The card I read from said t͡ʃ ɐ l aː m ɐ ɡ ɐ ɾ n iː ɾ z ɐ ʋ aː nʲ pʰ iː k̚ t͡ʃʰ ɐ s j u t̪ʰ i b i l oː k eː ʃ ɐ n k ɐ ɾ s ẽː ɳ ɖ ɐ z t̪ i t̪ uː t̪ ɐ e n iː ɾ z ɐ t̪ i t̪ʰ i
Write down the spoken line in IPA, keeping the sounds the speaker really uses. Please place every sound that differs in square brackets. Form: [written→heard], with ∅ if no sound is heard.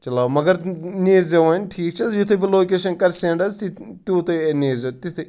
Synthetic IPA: t͡ʃ ɐ l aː m ɐ ɡ ɐ ɾ n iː ɾ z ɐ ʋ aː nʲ [pʰ→ʈʰ] iː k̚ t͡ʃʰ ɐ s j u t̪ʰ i b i l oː k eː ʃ ɐ n k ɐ ɾ s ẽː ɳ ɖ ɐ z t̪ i t̪ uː t̪ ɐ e n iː ɾ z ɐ t̪ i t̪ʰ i